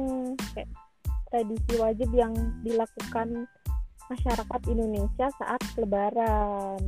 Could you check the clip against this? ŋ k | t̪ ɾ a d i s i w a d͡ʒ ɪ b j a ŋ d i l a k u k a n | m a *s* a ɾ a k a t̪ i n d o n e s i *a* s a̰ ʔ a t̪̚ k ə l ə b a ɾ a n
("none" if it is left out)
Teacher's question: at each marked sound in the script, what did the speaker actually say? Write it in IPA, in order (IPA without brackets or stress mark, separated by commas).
ʃ, a